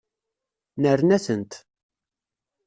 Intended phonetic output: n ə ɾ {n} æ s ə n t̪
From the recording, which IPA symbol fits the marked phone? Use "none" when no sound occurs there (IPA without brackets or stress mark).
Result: n